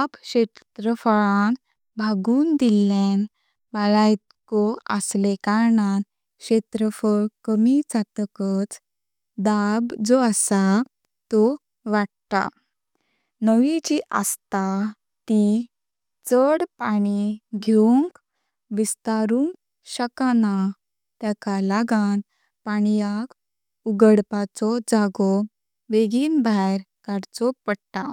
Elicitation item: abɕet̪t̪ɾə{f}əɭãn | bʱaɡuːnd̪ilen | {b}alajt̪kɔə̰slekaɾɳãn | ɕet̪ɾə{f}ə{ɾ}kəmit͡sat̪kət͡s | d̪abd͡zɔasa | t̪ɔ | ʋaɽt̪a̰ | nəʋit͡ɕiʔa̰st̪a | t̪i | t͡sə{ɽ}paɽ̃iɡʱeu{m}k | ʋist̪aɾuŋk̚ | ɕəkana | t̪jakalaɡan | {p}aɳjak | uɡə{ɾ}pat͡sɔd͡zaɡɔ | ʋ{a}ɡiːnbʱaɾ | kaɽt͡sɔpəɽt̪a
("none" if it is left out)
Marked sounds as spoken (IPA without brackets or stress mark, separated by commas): f, b, f, ɭ, ɽ, ŋ, p, ɽ, e